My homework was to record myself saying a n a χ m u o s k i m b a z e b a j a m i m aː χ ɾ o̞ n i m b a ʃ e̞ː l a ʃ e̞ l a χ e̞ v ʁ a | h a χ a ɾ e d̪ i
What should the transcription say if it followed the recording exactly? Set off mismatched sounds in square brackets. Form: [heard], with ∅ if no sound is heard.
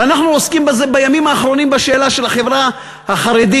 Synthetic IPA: a n a χ [n] u o s k i m b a z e b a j a m i m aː χ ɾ o̞ n i m b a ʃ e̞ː l a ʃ e̞ l a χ e̞ v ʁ a | h a χ a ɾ e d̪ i

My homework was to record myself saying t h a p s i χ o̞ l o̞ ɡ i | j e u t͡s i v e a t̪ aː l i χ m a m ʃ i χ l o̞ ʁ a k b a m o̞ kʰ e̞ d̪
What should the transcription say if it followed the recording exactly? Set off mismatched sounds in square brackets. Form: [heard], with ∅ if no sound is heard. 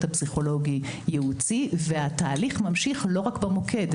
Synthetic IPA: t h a p s i χ o̞ l o̞ ɡ i | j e u t͡s i v e a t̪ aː l i χ m a m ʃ i χ l o̞ ʁ a k b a m o̞ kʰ e̞ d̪

